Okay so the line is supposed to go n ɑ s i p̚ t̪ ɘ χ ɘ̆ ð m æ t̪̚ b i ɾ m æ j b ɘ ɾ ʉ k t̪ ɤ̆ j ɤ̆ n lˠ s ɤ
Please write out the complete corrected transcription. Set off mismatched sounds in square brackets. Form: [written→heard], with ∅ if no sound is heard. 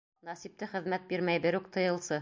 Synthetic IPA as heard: n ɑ s i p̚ t̪ ɘ χ ɘ̆ ð m æ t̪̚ b i ɾ m æ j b ɘ ɾ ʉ k t̪ ɤ̆ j ɤ̆ [n→∅] lˠ s ɤ